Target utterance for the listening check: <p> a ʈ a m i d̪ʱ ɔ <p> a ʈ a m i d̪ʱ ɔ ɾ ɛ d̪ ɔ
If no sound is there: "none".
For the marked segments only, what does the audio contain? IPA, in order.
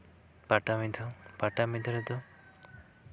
p, p

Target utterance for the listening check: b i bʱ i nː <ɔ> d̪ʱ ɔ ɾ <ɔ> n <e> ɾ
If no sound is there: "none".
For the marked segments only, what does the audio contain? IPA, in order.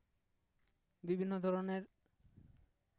o, o, e

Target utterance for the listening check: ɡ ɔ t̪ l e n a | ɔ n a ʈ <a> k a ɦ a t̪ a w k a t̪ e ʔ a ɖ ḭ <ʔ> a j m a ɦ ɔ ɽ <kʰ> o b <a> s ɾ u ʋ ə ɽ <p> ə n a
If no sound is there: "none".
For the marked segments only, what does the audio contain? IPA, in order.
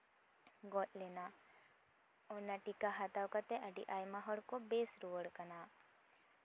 i, ʔ, k, e, k

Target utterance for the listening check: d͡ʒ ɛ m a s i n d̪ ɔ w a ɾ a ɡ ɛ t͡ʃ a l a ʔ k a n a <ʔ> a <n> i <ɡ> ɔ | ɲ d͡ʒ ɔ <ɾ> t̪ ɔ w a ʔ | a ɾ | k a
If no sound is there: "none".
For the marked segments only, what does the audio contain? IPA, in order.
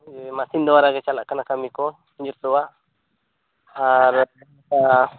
k, m, k, ɾ

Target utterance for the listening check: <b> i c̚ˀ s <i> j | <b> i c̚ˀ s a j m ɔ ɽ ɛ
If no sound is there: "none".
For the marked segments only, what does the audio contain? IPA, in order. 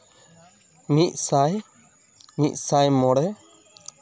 m, a, m

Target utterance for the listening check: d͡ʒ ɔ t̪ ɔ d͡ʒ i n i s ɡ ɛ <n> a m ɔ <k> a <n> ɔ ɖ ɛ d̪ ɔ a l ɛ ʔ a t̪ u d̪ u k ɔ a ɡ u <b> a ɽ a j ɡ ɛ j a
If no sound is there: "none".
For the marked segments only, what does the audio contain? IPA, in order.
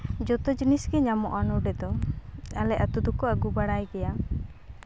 ɲ, ʔ, n, b

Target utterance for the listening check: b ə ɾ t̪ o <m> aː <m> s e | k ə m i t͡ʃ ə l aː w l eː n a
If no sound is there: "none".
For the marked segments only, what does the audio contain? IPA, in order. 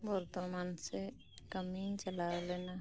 m, n

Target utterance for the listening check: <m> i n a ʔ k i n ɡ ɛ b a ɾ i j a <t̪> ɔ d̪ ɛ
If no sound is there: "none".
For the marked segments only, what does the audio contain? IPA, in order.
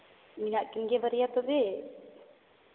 m, t̪

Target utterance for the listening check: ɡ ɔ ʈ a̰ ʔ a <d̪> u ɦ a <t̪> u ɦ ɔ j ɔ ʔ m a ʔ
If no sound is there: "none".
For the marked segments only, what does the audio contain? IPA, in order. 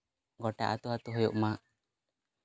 t̪, t̪

